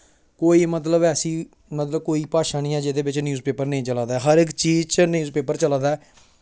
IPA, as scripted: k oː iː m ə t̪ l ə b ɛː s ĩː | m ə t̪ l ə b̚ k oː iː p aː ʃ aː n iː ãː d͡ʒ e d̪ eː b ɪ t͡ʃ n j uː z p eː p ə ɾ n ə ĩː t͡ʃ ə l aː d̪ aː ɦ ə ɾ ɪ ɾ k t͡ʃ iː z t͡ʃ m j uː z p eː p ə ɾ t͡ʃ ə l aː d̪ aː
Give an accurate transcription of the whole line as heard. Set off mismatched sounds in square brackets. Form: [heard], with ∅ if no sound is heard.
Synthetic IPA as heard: k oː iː m ə t̪ l ə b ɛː s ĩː | m ə t̪ l ə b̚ k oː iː p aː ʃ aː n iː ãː d͡ʒ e d̪ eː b ɪ t͡ʃ n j uː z p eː p ə ɾ n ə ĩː t͡ʃ ə l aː d̪ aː ɦ ə ɾ ɪ [∅] k t͡ʃ iː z t͡ʃ [n] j uː z p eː p ə ɾ t͡ʃ ə l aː d̪ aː